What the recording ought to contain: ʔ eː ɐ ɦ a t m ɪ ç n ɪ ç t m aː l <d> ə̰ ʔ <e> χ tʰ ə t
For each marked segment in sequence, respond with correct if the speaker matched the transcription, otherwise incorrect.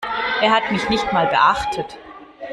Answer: incorrect: b, incorrect: a

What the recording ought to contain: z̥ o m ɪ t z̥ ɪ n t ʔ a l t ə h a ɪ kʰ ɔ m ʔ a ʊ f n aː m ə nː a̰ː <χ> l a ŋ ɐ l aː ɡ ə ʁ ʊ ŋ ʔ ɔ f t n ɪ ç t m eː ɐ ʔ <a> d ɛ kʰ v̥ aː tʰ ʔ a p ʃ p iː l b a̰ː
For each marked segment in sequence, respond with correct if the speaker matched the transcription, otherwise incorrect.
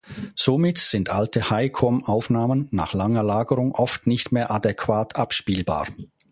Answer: correct, correct

